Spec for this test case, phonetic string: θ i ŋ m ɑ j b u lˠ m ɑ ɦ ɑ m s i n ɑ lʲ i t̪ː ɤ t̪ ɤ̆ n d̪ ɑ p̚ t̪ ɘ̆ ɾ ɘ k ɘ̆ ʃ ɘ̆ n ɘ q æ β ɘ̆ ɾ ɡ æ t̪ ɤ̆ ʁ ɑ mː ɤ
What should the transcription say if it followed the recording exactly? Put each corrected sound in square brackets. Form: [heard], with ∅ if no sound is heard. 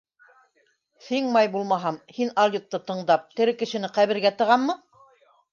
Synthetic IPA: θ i ŋ m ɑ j b u lˠ m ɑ ɦ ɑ m [h] i n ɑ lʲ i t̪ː ɤ t̪ ɤ̆ [ɴ] d̪ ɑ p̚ t̪ ɘ̆ ɾ ɘ k ɘ̆ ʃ ɘ̆ n ɘ q æ β ɘ̆ ɾ ɡ æ t̪ ɤ̆ ʁ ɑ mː ɤ

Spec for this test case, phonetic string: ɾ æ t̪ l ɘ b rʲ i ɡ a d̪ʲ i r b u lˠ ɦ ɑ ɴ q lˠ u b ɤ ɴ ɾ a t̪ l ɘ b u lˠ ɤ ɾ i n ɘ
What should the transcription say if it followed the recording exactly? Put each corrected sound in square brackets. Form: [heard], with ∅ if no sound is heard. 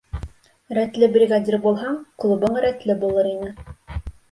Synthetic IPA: ɾ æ t̪ l ɘ b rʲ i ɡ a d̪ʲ i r b u lˠ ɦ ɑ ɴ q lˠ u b ɤ ɴ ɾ [æ] t̪ l ɘ b u lˠ ɤ ɾ i n ɘ

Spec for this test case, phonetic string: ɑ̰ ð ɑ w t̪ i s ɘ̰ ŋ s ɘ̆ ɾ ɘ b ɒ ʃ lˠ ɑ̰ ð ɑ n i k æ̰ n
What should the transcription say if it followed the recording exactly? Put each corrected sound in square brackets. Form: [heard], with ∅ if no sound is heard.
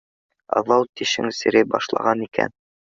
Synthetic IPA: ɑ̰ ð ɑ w t̪ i [ʃ] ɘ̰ ŋ s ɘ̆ ɾ ɘ b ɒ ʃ lˠ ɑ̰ [ʁ] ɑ n i k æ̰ n

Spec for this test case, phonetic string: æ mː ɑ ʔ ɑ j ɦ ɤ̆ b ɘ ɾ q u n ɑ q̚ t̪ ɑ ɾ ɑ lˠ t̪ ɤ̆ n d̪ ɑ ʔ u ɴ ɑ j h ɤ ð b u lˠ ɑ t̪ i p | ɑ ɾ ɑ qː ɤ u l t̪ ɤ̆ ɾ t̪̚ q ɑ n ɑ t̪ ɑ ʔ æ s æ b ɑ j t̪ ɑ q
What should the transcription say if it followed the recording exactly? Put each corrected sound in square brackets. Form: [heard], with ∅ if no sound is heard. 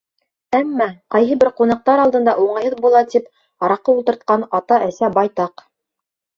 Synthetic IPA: æ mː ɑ [q] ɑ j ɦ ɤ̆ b ɘ ɾ q u n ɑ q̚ t̪ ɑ ɾ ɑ lˠ [d̪] ɤ̆ n d̪ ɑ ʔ u ɴ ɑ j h ɤ ð b u lˠ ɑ t̪ i p | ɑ ɾ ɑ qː ɤ u l t̪ ɤ̆ ɾ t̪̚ q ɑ n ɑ t̪ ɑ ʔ æ s æ b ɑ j t̪ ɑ q

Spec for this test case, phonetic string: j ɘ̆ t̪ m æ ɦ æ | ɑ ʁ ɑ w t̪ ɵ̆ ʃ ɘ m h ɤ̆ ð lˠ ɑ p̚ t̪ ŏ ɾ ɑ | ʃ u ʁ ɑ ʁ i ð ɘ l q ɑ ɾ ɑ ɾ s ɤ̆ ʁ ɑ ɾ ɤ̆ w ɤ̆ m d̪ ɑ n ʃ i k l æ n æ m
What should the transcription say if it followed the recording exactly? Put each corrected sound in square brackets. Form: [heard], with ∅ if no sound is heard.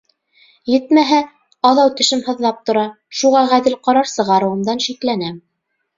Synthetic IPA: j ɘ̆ t̪ m æ ɦ æ | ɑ [ð] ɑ w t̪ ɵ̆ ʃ ɘ m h ɤ̆ ð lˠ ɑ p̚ t̪ ŏ ɾ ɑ | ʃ u ʁ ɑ ʁ [æ] ð ɘ l q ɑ ɾ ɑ ɾ s ɤ̆ ʁ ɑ ɾ ɤ̆ w ɤ̆ m d̪ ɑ n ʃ i k l æ n æ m

